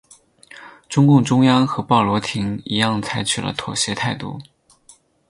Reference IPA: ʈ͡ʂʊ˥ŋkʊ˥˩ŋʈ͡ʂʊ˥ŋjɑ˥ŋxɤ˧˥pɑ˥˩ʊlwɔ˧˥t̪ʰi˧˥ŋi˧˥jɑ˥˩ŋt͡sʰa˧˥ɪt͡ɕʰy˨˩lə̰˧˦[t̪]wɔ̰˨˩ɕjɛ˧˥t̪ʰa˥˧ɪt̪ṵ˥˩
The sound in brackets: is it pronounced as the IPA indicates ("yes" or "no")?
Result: no